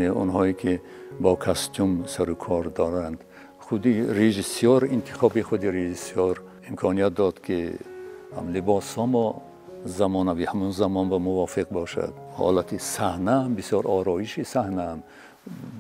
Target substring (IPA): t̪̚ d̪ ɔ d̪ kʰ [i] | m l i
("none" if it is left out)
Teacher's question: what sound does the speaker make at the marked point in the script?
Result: i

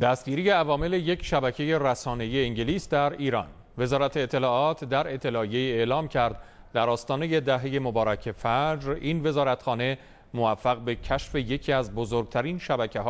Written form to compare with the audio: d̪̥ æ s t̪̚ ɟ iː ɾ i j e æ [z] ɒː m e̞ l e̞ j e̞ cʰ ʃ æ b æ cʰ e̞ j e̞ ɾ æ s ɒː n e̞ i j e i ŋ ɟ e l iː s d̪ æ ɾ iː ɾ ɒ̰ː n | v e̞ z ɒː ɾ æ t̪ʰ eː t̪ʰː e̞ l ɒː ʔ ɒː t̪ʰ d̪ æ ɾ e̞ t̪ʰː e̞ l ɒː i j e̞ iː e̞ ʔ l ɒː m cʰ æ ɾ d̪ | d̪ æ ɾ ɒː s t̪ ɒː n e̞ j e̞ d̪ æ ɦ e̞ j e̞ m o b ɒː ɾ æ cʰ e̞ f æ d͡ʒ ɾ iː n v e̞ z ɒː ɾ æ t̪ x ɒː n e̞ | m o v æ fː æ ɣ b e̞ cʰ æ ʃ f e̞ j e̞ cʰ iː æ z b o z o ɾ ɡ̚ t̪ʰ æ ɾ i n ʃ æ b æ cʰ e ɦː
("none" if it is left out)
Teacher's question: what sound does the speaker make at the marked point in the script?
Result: v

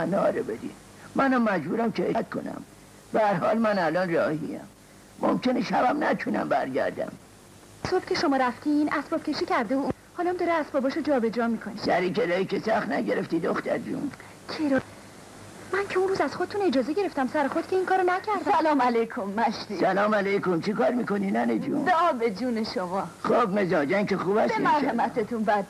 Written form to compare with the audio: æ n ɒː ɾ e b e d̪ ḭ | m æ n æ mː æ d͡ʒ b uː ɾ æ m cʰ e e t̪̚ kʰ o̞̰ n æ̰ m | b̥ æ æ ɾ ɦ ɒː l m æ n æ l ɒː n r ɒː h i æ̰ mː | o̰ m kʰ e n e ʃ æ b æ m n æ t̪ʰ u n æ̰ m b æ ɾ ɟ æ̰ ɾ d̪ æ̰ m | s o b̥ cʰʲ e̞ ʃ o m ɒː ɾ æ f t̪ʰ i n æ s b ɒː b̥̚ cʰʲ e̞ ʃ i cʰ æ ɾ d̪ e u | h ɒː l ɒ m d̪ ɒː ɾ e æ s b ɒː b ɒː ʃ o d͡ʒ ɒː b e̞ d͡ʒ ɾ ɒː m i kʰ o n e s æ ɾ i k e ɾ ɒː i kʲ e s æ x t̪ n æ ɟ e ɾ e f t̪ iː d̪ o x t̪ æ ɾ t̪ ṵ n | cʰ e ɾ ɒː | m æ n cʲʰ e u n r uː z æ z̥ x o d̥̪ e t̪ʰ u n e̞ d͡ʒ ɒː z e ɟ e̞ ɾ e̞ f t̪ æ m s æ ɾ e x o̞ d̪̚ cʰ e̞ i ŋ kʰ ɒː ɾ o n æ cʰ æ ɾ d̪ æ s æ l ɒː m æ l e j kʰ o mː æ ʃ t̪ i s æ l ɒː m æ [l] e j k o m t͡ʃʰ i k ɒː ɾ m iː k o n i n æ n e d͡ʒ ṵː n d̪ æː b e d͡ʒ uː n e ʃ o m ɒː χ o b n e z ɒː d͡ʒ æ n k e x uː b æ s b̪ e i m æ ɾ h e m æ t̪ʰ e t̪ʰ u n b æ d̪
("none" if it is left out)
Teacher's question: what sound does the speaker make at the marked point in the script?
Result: l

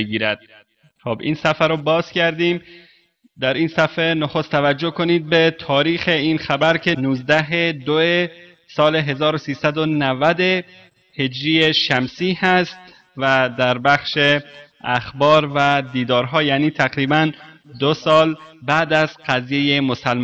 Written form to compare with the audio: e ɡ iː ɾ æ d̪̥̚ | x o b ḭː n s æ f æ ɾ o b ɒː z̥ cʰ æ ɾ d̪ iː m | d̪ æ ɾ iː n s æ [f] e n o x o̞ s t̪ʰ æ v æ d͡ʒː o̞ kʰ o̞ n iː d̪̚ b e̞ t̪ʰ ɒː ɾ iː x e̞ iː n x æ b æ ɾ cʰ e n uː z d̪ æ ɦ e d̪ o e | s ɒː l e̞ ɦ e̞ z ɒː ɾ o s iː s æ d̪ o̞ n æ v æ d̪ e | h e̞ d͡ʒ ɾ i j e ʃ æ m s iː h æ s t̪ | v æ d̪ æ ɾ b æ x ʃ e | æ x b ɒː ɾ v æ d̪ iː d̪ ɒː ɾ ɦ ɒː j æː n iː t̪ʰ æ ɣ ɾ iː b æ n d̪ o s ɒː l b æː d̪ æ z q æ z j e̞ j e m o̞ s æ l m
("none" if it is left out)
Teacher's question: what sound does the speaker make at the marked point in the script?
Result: f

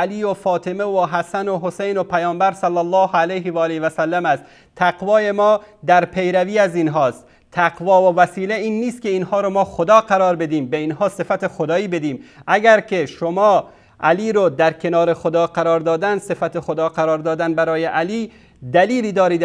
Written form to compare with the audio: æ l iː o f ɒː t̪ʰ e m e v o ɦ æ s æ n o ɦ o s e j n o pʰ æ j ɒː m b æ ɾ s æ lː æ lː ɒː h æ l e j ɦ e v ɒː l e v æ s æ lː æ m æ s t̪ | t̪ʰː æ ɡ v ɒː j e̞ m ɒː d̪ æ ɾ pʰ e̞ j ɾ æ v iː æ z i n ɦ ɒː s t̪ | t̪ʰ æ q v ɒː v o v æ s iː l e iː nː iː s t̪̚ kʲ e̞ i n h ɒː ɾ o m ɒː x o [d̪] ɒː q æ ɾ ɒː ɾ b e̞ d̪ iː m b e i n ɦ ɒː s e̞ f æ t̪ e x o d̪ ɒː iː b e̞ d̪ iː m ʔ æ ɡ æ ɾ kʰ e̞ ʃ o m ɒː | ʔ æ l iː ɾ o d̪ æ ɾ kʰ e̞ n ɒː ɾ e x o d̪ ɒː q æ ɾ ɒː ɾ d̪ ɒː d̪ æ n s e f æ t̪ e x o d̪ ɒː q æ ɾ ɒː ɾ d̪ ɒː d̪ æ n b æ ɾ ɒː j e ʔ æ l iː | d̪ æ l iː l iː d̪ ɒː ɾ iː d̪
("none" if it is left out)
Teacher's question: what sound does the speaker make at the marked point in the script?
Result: d̪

